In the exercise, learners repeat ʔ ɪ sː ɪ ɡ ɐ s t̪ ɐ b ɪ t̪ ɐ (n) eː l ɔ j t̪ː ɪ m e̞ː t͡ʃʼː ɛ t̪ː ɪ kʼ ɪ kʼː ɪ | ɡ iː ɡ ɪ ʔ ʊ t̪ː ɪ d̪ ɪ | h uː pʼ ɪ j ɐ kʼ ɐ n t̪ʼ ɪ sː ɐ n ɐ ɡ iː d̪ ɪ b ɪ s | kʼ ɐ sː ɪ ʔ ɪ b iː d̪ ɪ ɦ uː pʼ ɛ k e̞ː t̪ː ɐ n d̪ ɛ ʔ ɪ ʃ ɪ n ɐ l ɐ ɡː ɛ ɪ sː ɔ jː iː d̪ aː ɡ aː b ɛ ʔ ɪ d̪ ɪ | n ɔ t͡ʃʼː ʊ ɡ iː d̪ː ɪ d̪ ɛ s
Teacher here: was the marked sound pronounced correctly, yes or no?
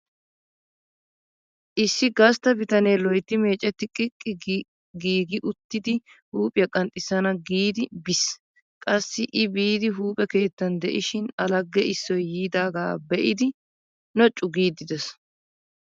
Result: yes